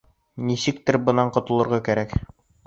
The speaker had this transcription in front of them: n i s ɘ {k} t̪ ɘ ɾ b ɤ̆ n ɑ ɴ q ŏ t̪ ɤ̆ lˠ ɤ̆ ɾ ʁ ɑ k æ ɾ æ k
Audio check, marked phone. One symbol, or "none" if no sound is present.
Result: k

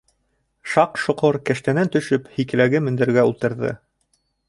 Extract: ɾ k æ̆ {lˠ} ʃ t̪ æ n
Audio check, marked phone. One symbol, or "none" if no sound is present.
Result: none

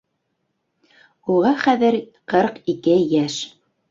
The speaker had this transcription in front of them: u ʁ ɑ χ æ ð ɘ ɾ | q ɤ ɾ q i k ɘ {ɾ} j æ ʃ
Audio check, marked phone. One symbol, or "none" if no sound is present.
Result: none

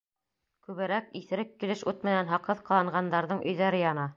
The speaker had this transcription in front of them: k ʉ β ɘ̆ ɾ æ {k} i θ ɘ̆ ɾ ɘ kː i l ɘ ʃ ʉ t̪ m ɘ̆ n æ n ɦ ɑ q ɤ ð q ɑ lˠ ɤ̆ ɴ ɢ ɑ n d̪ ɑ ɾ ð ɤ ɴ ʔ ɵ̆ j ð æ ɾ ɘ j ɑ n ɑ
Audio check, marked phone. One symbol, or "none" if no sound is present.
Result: k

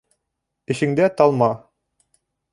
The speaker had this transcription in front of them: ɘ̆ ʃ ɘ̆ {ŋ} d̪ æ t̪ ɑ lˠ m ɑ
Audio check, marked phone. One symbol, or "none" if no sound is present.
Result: ŋ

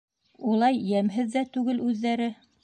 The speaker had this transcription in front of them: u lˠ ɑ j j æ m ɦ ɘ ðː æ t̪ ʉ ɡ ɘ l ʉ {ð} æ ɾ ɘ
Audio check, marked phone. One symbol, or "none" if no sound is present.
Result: ðː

